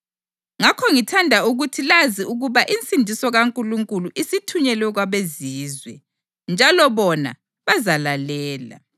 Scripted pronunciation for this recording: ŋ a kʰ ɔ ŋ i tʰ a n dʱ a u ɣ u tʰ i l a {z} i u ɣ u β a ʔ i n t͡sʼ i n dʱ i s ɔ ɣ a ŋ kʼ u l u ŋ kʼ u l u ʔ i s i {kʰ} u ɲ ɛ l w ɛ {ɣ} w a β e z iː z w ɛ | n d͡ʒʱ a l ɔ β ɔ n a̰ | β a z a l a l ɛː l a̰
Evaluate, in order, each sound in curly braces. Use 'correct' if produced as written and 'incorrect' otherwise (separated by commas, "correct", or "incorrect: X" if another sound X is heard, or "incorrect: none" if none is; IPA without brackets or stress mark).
correct, incorrect: tʰ, correct